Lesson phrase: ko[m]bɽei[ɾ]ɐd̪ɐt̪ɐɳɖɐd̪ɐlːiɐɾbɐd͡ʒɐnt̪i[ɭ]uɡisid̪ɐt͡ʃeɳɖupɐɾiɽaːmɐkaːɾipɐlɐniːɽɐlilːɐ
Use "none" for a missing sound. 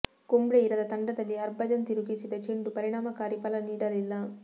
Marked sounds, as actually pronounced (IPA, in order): m, ɾ, ɾ

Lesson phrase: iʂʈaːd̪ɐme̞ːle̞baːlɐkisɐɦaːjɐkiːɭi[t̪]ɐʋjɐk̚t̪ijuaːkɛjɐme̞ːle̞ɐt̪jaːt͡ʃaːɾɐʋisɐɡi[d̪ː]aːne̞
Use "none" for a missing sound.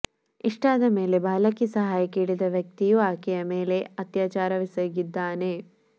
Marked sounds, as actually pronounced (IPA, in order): d̪, d̪ː

